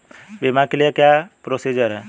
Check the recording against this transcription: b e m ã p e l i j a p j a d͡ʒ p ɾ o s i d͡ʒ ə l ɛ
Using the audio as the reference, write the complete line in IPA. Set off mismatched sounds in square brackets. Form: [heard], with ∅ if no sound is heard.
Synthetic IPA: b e m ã [k] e l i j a [k] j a [∅] p ɾ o s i d͡ʒ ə [ɾ] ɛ

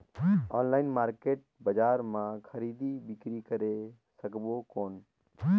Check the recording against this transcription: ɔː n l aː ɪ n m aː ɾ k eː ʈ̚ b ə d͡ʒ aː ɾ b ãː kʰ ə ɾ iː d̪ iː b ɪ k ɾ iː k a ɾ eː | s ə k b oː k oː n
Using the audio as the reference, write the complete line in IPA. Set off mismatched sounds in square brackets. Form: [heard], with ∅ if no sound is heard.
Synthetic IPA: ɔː n l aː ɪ n m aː ɾ k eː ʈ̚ b ə d͡ʒ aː ɾ [m] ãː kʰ ə ɾ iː d̪ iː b ɪ k ɾ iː k [ə] ɾ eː | s ə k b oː k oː n

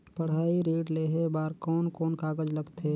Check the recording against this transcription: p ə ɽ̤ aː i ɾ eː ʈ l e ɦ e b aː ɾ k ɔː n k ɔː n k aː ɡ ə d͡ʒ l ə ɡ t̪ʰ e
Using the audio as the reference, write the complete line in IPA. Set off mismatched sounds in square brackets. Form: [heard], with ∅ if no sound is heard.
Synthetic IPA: p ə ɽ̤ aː i ɾ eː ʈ l e ɦ e b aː ɾ k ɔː n k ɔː n k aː ɡ ə d͡ʒ l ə ɡ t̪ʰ e

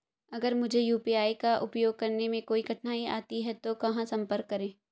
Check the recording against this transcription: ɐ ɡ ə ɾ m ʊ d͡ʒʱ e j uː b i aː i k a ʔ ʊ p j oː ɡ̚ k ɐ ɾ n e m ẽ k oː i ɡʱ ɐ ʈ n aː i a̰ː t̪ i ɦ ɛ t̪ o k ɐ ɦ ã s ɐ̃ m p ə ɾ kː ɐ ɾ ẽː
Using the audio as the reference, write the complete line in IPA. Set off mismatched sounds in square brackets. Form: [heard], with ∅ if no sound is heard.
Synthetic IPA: ɐ ɡ ə ɾ m ʊ d͡ʒʱ e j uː [p] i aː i k a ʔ ʊ p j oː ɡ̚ k ɐ ɾ n e m ẽ k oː i ɡʱ ɐ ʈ n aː i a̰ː t̪ i ɦ ɛ t̪ o k ɐ ɦ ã s ɐ̃ m p ə ɾ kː ɐ ɾ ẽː

